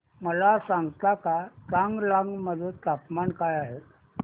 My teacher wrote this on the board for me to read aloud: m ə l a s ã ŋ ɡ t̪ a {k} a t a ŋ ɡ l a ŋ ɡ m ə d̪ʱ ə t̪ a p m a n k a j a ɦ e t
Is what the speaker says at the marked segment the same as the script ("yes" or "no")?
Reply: yes